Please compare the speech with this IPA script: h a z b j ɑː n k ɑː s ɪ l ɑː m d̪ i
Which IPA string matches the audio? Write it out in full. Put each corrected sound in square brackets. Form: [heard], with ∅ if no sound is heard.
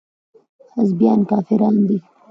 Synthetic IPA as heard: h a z b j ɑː n k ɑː [f] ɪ [ɾ] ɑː [n] d̪ i